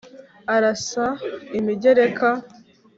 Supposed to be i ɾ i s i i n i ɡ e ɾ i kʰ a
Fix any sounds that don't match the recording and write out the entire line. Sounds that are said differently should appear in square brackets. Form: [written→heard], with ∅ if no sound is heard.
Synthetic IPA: [i→a] ɾ [i→a] s [i→a] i [n→m] i [ɡ→ɟ] e ɾ [i→e] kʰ a